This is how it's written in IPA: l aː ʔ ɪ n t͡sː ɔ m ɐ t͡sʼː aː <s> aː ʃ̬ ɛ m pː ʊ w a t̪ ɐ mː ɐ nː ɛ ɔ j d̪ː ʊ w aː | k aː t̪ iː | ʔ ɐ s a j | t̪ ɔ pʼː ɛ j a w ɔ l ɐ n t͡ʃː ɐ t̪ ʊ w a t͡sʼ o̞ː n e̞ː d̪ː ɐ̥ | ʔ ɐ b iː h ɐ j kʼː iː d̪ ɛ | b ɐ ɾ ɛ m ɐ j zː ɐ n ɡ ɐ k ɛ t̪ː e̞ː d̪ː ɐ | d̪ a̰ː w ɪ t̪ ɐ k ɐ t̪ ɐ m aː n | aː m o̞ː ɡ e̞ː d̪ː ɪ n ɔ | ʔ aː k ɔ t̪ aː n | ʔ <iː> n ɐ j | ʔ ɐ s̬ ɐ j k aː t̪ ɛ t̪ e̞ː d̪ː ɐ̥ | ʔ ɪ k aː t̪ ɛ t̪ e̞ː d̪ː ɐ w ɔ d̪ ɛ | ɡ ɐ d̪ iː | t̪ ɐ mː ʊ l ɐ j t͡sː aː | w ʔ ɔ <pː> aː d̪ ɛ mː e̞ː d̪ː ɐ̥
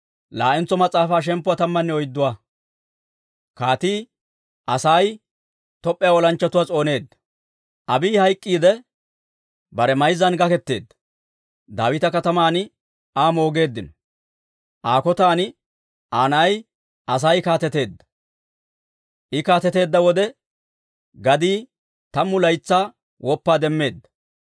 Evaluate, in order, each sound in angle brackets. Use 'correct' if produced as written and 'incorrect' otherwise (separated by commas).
incorrect, incorrect, correct